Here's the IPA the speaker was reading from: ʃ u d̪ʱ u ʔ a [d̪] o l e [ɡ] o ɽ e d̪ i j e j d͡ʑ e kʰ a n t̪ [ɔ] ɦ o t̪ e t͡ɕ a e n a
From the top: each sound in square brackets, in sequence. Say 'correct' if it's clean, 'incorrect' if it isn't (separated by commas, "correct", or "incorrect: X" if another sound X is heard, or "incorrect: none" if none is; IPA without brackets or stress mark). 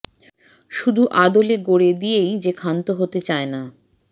correct, correct, incorrect: o